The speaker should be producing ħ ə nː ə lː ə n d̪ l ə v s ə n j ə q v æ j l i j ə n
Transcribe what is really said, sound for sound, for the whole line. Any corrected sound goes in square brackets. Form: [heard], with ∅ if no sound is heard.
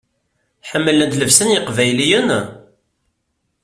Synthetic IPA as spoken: ħ ə [mː] ə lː ə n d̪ l ə v s ə n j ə q v æ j l i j ə n